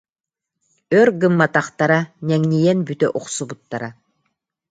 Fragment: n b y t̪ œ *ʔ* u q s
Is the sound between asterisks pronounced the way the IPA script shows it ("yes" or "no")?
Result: yes